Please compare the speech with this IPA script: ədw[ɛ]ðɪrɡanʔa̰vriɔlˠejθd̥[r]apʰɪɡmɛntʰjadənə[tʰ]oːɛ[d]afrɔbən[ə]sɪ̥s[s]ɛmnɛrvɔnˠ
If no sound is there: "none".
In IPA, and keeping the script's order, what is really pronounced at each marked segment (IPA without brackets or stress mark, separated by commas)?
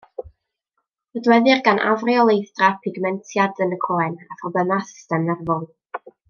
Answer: ɛ, r, kʰ, n, a, t